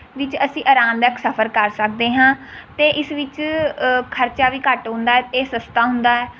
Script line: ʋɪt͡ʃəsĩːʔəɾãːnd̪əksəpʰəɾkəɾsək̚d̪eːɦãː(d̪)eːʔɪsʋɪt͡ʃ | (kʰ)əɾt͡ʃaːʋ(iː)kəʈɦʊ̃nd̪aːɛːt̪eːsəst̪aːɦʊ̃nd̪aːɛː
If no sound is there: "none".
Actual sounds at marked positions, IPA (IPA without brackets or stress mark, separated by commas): t̪, kʰ, iː